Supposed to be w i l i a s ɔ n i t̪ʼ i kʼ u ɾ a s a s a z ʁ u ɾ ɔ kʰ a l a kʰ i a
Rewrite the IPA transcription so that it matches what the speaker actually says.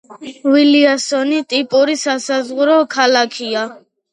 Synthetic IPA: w i l i a s ɔ n i t̪ʼ i pʼ u ɾ i s a s a z ʁ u ɾ ɔ kʰ a l a kʰ i a

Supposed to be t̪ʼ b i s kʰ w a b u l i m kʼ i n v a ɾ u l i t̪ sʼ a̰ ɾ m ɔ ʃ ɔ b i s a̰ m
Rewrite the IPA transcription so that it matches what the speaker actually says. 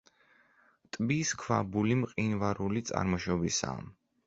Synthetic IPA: t̪ʼ b i s kʰ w a b u l i m qʼ i n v a ɾ u l i t̪ sʼ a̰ ɾ m ɔ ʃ ɔ b i s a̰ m

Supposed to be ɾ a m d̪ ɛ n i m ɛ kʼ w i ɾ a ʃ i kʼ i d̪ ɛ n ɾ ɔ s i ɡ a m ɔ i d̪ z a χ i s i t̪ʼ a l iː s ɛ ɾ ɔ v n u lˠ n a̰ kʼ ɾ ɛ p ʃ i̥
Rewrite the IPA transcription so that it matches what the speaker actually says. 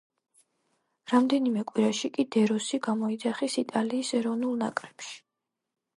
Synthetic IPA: ɾ a m d̪ ɛ n i m ɛ kʼ w i ɾ a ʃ i kʼ i d̪ ɛ ɾ ɔ s i ɡ a m ɔ i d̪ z a χ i s i t̪ʼ a l iː s ɛ ɾ ɔ v n u lˠ n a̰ kʼ ɾ ɛ p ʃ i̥

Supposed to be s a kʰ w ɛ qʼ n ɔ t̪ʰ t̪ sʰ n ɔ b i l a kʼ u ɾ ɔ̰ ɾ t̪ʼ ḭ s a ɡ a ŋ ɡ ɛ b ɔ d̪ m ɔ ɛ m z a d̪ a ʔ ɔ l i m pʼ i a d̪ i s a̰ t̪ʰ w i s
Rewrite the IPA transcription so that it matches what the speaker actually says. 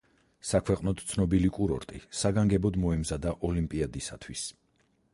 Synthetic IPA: s a kʰ w ɛ qʼ n ɔ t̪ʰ t̪ sʰ n ɔ b i l i kʼ u ɾ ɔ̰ ɾ t̪ʼ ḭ s a ɡ a ŋ ɡ ɛ b ɔ d̪ m ɔ ɛ m z a d̪ a ʔ ɔ l i m pʼ i a d̪ i s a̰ t̪ʰ w i s

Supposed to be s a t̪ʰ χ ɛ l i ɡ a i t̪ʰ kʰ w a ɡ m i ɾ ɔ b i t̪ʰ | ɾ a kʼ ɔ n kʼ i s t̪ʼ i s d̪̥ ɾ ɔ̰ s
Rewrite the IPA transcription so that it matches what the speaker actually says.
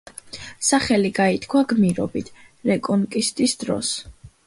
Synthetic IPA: s a χ ɛ l i ɡ a i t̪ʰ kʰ w a ɡ m i ɾ ɔ b i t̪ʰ | ɾ ɛ kʼ ɔ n kʼ i s t̪ʼ i s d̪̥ ɾ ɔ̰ s

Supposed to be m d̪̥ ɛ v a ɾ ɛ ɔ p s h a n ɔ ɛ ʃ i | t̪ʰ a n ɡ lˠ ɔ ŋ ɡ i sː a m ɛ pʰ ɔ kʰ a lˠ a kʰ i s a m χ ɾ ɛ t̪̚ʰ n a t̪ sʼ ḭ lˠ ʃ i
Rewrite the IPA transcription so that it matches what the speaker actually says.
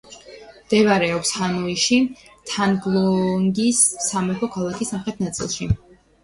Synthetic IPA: m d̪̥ ɛ v a ɾ ɛ ɔ p s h a n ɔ i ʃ i | t̪ʰ a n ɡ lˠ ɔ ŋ ɡ i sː a m ɛ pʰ ɔ kʰ a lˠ a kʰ i s a m χ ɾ ɛ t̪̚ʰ n a t̪ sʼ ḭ lˠ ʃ i

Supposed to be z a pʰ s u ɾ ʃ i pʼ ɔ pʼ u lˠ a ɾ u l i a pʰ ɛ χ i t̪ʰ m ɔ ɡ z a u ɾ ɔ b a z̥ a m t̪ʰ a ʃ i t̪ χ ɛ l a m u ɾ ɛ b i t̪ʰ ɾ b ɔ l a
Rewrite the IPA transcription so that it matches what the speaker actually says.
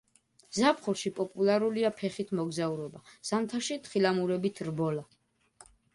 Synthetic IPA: z a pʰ χ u ɾ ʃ i pʼ ɔ pʼ u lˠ a ɾ u l i a pʰ ɛ χ i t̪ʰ m ɔ ɡ z a u ɾ ɔ b a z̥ a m t̪ʰ a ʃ i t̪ χ i l a m u ɾ ɛ b i t̪ʰ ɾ b ɔ l a

